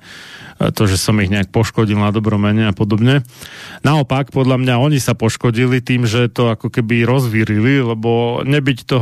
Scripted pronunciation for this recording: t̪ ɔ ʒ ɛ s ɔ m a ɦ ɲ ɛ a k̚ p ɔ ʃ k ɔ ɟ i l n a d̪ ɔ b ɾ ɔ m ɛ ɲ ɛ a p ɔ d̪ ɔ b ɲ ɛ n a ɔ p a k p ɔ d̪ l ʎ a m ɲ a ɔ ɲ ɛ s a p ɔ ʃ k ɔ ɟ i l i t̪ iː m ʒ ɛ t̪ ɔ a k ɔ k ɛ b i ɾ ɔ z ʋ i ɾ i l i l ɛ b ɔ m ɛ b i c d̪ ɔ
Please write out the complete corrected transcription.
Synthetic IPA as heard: t̪ ɔ ʒ ɛ s ɔ m i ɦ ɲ ɛ a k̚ p ɔ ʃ k ɔ ɟ i l n a d̪ ɔ b ɾ ɔ m ɛ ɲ ɛ a p ɔ d̪ ɔ b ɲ ɛ n a ɔ p a k p ɔ d̪ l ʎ a m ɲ a ɔ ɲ i s a p ɔ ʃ k ɔ ɟ i l i t̪ iː m ʒ ɛ t̪ ɔ a k ɔ k ɛ b i ɾ ɔ z ʋ i ɾ i l i l ɛ b ɔ ɲ ɛ b i c t̪ ɔ